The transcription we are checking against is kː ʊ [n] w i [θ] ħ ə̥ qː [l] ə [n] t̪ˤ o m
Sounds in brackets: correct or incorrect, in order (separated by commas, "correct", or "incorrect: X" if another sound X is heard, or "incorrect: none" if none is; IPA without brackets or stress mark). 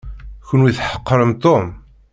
correct, correct, incorrect: ɾ, incorrect: m